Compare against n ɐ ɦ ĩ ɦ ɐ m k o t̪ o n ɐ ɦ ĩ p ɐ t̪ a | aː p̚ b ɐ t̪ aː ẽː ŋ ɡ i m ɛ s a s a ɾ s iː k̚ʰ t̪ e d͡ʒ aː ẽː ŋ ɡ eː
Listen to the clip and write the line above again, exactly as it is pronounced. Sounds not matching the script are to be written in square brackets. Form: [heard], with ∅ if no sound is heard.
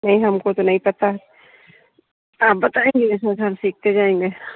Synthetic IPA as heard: n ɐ ɦ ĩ ɦ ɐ m k o t̪ o n ɐ ɦ ĩ p ɐ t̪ a | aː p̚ b ɐ t̪ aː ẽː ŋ ɡ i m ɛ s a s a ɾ s iː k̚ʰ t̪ e d͡ʒ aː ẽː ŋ ɡ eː